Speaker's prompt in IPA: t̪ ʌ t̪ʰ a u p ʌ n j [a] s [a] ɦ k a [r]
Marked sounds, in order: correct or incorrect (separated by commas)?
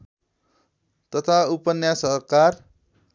correct, incorrect, correct